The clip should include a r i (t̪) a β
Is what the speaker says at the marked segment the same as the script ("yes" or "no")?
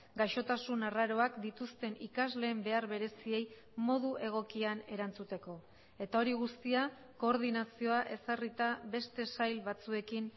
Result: yes